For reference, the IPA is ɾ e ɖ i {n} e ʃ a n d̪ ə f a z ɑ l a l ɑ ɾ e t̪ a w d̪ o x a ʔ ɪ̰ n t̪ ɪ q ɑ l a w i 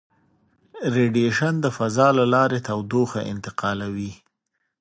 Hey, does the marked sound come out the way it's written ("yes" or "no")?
no